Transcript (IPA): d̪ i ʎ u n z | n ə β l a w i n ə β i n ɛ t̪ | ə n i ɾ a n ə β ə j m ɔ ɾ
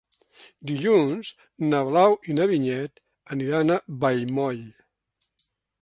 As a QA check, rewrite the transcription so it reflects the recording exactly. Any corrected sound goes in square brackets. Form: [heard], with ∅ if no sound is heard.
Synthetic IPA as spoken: d̪ i ʎ u n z | n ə β l a w i n ə β i [ɲ] ɛ t̪ | ə n i ɾ a n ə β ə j m ɔ [ʎ]